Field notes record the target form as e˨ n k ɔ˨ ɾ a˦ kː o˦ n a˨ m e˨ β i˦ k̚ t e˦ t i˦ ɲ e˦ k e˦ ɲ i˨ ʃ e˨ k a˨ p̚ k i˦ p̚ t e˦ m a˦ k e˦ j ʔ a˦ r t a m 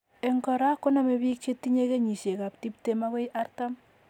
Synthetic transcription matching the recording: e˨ ŋ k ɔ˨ ɾ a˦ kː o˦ n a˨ m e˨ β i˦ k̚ t͡ʃ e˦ t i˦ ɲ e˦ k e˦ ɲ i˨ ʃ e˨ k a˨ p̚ t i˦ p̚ t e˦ m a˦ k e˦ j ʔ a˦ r t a m